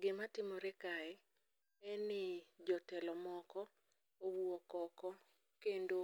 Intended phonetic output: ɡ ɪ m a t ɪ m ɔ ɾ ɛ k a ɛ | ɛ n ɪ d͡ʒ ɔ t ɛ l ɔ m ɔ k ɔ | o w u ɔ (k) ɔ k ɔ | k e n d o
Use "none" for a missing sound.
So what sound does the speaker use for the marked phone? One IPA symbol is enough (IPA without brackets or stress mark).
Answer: k